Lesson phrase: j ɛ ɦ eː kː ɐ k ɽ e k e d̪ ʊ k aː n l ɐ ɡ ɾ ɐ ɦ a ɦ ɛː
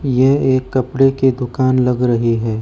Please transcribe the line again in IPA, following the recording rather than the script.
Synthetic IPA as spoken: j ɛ ɦ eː kː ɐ p ɽ e k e d̪ ʊ k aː n l ɐ ɡ ɾ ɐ ɦ i ɦ ɛː